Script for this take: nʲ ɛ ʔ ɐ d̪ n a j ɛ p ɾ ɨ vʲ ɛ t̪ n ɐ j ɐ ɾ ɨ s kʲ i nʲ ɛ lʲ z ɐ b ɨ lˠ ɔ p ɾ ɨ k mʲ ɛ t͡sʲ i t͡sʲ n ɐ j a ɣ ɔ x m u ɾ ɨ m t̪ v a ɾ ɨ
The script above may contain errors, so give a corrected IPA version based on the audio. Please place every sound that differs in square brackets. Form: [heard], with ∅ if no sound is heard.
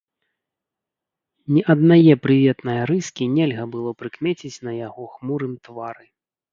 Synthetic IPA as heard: nʲ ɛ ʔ ɐ d̪ n a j ɛ p ɾ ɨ vʲ ɛ t̪ n ɐ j ɐ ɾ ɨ s kʲ i nʲ ɛ lʲ [ɣ] ɐ b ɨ lˠ ɔ p ɾ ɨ k mʲ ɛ t͡sʲ i t͡sʲ n ɐ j a ɣ ɔ x m u ɾ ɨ m t̪ v a ɾ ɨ